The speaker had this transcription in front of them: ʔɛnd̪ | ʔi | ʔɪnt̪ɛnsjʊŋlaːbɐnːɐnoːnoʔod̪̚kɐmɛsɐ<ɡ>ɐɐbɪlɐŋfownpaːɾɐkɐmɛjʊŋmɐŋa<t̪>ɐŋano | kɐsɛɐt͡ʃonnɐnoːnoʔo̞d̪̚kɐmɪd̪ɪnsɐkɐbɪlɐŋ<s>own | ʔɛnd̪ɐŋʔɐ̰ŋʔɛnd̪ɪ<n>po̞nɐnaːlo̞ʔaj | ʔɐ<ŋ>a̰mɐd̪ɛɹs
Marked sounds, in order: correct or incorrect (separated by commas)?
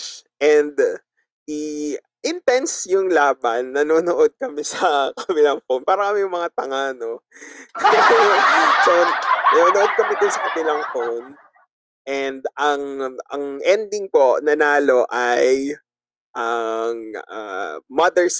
incorrect, correct, incorrect, incorrect, correct